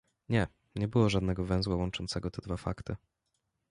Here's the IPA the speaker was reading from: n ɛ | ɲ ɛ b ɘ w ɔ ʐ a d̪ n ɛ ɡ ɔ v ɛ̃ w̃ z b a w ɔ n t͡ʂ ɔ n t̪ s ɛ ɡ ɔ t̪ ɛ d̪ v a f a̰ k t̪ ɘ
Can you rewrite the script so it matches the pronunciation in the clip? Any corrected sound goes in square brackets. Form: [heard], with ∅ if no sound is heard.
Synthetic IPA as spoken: [ɲ] ɛ | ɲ ɛ b ɘ w ɔ ʐ a d̪ n ɛ ɡ ɔ v ɛ̃ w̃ z [w] a w ɔ n t͡ʂ ɔ n t̪ s ɛ ɡ ɔ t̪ ɛ d̪ v a f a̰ k t̪ ɘ